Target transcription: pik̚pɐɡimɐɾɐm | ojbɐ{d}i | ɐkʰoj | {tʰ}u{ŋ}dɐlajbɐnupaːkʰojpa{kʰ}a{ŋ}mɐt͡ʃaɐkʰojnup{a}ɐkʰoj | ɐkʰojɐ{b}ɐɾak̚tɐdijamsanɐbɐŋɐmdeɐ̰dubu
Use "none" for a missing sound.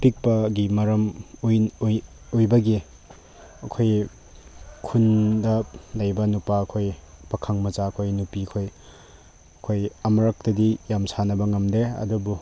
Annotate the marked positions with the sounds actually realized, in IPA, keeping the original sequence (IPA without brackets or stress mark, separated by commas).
ɡ, kʰ, n, kʰ, ŋ, i, m